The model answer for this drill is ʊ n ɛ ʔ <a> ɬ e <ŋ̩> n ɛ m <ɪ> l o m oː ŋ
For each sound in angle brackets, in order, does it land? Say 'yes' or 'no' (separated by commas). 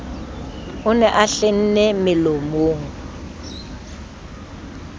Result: yes, no, yes